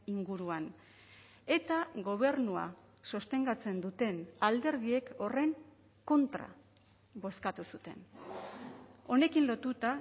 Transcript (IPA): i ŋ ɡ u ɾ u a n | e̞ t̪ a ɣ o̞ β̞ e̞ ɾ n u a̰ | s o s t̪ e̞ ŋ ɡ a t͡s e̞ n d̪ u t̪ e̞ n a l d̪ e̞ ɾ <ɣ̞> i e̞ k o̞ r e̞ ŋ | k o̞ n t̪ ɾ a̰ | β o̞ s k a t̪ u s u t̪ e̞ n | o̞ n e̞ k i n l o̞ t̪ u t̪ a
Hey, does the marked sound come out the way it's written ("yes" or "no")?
no